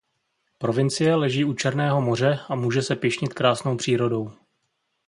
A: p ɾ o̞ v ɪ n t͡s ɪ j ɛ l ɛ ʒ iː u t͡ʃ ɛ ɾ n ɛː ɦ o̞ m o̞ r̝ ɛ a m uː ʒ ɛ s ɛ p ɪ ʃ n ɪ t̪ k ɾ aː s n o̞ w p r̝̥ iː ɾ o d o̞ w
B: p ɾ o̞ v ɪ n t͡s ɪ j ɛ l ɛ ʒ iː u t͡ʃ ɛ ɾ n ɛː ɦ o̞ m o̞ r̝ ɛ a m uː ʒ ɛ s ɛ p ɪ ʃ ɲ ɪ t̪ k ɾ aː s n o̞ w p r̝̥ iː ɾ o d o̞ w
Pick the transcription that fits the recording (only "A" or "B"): B